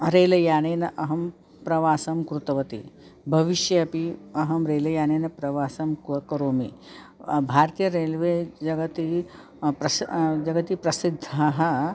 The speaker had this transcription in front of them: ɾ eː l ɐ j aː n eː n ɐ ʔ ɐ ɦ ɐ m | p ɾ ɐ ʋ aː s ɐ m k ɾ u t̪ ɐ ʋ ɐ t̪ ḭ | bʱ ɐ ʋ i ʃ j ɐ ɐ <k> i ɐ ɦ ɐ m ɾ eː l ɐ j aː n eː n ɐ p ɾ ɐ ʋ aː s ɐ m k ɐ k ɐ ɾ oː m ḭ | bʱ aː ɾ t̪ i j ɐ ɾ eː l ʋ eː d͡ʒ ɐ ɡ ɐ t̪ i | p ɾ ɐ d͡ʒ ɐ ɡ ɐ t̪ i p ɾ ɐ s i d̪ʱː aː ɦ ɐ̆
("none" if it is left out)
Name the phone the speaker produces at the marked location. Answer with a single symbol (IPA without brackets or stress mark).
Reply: p